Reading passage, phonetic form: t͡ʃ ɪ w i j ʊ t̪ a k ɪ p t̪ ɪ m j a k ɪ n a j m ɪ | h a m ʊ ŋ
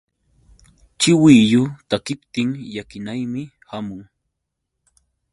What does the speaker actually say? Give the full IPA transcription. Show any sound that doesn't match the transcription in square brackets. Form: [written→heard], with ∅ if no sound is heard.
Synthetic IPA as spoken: t͡ʃ ɪ w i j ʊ t̪ a k ɪ p t̪ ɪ [m→ŋ] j a k ɪ n a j m ɪ | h a m ʊ ŋ